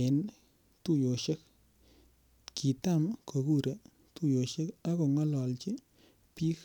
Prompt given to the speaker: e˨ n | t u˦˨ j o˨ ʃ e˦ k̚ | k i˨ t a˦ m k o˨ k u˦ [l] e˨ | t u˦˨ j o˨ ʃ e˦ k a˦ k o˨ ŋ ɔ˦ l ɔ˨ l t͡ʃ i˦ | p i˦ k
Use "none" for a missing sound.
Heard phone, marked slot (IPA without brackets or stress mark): ɾ